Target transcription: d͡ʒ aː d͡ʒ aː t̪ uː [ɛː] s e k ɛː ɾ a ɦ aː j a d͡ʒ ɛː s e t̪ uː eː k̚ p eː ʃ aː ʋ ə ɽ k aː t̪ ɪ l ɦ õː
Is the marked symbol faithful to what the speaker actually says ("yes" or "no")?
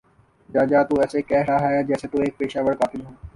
yes